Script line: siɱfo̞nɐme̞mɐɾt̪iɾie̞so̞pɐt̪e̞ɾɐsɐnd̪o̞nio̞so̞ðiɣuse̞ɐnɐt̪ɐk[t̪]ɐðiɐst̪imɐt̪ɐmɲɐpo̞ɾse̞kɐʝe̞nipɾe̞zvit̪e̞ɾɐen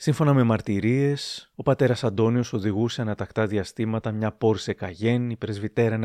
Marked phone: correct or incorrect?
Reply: correct